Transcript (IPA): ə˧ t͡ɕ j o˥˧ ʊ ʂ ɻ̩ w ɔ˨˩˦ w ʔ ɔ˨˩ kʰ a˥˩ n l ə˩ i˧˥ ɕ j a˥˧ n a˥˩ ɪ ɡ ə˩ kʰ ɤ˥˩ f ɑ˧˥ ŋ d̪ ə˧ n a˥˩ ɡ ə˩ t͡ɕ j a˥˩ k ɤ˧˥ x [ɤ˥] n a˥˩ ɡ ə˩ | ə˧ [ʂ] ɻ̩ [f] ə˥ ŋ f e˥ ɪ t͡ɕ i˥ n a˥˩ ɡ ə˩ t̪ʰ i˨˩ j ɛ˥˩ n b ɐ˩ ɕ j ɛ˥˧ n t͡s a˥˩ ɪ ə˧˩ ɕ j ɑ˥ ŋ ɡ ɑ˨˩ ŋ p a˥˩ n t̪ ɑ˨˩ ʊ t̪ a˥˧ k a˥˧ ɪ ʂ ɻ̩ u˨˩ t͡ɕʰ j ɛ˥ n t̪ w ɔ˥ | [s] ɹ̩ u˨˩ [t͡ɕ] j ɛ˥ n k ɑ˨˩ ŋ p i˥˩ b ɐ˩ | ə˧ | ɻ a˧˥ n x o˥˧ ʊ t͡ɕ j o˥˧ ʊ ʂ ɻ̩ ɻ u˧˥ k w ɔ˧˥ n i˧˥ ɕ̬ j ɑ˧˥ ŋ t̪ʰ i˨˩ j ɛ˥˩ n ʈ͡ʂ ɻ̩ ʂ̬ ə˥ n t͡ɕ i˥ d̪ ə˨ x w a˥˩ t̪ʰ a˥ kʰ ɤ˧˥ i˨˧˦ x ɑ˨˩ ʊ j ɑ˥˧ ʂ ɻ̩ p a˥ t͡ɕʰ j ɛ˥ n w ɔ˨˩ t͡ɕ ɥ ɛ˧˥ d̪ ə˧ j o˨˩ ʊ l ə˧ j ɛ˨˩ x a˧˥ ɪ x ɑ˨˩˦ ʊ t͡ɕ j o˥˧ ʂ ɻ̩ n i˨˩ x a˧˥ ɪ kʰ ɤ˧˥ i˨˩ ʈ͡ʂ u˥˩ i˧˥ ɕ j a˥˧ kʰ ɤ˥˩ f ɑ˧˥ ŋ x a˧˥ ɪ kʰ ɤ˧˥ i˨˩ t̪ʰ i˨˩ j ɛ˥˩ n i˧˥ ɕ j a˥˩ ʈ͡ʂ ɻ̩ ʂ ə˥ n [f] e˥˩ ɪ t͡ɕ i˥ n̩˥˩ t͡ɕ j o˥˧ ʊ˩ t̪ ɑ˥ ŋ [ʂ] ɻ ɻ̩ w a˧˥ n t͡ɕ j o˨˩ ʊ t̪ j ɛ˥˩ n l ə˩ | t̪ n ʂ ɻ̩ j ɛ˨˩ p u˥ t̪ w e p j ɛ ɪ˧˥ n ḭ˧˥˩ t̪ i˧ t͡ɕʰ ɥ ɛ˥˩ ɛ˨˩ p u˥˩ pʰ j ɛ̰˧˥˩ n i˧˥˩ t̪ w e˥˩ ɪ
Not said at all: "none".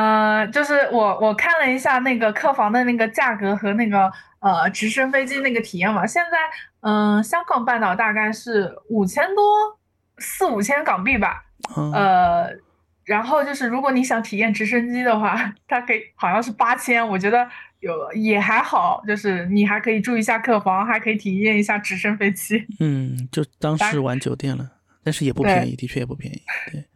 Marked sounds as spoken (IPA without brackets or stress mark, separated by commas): ɤ˧˥, ʈ͡ʂ, ʂ, s, t͡ɕʰ, f, ʂ